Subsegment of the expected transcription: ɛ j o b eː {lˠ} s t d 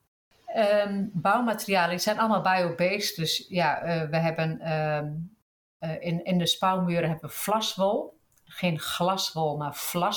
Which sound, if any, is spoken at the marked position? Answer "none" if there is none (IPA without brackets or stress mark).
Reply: none